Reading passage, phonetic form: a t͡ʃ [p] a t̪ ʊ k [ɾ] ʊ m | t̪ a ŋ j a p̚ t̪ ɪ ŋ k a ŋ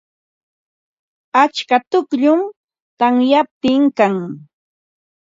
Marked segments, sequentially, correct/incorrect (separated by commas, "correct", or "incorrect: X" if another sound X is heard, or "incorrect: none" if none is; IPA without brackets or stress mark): incorrect: k, incorrect: ʎ